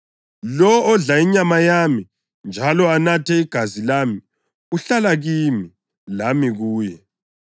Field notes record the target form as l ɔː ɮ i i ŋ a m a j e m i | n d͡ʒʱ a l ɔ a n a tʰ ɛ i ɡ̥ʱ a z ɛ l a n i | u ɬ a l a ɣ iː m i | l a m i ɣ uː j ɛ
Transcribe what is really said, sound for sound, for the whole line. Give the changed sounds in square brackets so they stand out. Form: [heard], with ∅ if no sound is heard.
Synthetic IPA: l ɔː ɮ [a] i [ɲ] a m a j [a] m i | n d͡ʒʱ a l ɔ a n a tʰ ɛ i ɡ̥ʱ a z [i] l a [m] i | u ɬ a l a ɣ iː m i | l a m i ɣ uː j ɛ